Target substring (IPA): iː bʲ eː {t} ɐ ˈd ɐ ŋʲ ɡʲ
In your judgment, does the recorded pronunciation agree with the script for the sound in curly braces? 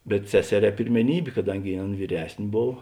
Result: no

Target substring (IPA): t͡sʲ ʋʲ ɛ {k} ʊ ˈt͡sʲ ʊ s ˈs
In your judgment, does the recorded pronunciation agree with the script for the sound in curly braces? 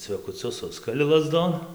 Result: yes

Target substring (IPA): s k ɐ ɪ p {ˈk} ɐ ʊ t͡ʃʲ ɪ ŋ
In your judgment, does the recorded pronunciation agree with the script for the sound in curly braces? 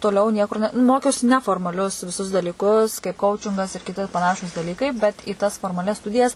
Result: yes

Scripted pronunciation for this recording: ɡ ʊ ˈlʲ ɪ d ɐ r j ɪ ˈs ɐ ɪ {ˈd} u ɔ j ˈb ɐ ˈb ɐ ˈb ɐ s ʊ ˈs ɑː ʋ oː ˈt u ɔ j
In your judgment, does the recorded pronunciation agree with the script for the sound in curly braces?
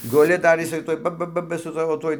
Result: no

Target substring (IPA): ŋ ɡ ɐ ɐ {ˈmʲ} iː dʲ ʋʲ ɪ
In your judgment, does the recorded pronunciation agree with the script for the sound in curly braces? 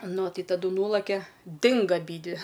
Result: no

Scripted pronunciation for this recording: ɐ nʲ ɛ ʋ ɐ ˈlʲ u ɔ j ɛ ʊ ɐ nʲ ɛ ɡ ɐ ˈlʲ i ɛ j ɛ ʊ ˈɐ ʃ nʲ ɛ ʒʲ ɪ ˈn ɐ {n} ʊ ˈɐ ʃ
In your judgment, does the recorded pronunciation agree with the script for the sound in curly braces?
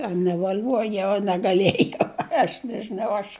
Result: no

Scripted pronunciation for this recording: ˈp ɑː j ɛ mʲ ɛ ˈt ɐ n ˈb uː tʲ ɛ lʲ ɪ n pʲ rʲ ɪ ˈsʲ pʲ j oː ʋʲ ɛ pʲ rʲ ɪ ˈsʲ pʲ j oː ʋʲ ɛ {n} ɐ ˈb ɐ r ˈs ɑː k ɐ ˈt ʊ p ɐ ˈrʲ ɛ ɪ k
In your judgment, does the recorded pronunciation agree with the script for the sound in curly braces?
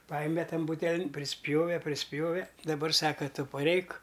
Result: no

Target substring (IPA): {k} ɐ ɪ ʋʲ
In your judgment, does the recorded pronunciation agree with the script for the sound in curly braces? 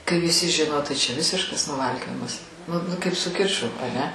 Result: yes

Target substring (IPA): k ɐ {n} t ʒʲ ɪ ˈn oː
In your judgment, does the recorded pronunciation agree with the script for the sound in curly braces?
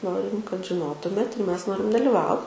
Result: no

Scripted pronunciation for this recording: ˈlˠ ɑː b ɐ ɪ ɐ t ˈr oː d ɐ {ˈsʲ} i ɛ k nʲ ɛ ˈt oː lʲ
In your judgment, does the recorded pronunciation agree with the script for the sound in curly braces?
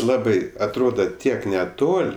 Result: no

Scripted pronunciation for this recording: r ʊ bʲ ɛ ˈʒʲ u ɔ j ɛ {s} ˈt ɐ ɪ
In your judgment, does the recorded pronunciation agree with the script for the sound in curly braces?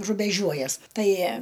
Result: yes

